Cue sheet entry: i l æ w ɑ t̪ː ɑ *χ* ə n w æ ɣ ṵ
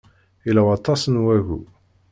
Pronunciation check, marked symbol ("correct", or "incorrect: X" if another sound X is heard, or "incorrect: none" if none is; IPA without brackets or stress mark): incorrect: s